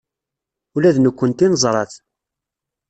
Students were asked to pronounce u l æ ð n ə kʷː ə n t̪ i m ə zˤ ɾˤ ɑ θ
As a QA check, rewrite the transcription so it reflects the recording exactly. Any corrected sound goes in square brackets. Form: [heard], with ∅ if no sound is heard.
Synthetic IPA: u l æ ð n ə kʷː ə n t̪ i [n] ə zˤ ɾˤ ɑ θ